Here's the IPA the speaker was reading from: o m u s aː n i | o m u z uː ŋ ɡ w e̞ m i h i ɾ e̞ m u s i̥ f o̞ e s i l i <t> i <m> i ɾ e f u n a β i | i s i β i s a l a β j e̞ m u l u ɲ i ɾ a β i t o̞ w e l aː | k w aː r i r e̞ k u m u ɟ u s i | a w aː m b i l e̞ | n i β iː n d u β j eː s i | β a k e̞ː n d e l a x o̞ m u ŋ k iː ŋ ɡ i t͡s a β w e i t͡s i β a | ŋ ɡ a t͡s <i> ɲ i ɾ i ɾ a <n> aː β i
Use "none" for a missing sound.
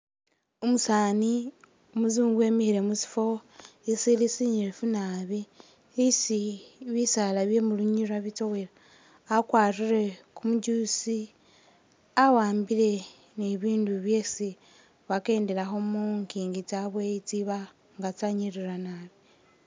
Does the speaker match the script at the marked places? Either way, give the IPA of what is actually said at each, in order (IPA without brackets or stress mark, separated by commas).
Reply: s, ɲ, a, n